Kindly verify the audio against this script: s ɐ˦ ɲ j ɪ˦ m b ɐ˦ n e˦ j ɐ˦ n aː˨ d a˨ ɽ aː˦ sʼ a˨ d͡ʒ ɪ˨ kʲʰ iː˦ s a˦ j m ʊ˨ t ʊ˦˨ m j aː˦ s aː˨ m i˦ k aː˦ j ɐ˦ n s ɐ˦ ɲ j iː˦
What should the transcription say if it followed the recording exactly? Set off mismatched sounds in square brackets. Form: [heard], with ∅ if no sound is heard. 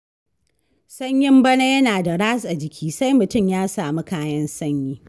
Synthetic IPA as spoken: s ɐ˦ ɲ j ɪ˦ m b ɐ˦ n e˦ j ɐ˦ n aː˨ d a˨ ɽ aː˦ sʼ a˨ d͡ʒ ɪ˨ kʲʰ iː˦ s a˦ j m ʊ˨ t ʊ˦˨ m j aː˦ s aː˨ m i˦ k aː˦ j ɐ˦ n s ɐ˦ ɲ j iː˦